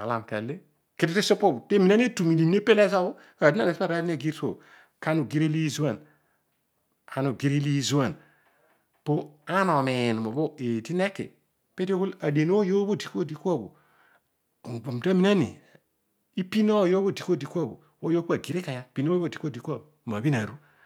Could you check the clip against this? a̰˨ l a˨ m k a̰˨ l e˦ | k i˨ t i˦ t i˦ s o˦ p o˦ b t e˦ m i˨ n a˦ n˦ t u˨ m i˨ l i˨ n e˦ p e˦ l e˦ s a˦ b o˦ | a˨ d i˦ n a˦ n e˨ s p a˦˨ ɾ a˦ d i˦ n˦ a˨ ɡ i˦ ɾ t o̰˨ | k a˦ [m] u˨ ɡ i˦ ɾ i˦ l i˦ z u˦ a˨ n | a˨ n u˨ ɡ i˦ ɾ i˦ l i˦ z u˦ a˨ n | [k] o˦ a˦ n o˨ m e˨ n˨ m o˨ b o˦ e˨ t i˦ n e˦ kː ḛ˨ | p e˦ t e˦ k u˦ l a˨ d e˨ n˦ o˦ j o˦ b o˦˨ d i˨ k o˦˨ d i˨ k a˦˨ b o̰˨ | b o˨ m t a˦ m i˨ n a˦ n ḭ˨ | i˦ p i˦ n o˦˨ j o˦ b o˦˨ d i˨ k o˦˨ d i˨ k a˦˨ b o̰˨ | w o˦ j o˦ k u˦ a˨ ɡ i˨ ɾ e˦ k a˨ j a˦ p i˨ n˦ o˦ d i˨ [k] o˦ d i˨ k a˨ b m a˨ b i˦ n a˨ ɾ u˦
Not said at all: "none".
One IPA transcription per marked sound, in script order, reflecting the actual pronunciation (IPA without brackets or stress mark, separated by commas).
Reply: n, p, k